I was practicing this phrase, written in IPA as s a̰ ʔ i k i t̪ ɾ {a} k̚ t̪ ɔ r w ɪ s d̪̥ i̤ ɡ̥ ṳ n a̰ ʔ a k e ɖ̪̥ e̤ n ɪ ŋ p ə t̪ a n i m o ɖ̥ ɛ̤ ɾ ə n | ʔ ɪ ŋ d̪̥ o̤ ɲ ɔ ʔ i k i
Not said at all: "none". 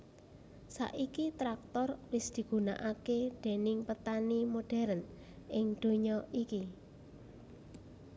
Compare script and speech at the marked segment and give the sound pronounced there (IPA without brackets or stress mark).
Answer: a